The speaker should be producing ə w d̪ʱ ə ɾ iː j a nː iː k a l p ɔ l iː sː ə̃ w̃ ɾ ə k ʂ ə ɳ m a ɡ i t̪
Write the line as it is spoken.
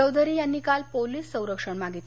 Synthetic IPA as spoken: ə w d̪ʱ ə ɾ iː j a nː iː k a l p o l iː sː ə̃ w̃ ɾ ə k ʂ ə ɳ m a ɡ i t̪

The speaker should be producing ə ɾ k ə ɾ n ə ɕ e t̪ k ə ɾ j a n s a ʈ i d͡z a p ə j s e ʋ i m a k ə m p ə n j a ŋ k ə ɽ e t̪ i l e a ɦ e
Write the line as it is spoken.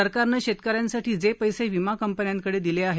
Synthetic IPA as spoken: ə ɾ k a ɾ n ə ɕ e t̪ k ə ɾ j a n s a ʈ iː d͡z e p ə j s e ʋ i m a k ə m p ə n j a ŋ k ə ɽ e d̪ i l e a ɦ e

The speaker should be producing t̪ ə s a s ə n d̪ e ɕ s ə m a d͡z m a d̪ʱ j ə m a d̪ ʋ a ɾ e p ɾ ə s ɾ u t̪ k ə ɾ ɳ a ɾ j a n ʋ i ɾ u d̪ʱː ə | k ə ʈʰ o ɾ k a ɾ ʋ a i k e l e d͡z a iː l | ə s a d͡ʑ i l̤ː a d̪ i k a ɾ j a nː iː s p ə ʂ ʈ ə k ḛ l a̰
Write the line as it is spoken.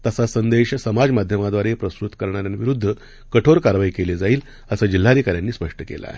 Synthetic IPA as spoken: t̪ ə s a s ə n d̪ e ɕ s ə m a d͡z m a d̪ʱ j ə m a d̪ ʋ a ɾ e p ɾ ə s ɾ u t̪ k ə ɾ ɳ a ɾ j a n ʋ i ɾ u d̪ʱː ə | k ə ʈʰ o ɾ k a ɾ ʋ a i k e l e d͡z a iː l | ə s a d͡ʑ i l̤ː a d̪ i k a ɾ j a nː iː s p ə ʂ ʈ ə k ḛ l a̰

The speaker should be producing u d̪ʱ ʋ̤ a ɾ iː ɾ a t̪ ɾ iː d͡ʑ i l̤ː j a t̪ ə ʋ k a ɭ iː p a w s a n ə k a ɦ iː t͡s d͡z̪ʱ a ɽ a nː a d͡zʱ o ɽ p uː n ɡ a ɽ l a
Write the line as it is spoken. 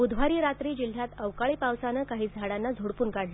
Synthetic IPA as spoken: u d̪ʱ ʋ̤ a ɾ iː ɾ a t̪ ɾ iː d͡ʑ i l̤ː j a t̪ ə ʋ k a ɭ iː p a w s a n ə k a ɦ iː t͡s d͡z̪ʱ a ɽ a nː a d͡zʱ o ɽ p uː n k a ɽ l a

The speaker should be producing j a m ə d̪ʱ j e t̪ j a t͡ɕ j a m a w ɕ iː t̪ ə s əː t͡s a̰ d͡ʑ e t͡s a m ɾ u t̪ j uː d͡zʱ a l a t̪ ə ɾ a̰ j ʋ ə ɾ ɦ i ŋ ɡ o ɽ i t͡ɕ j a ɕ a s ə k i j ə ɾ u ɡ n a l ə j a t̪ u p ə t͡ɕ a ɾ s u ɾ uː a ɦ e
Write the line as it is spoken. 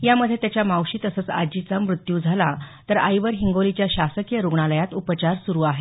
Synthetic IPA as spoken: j a m ə d̪ʱ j e t̪ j a t͡ɕ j a m a w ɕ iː t̪ ə s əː t͡s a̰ d͡ʑ i t͡s a m ɾ u t̪ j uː d͡zʱ a l a t̪ ə ɾ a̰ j ʋ ə ɾ ɦ i ŋ ɡ o l i t͡ɕ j a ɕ a s ə k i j ə ɾ u ɡ ɳ a l ə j a t̪ u p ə t͡ɕ a ɾ s u ɾ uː a ɦ e

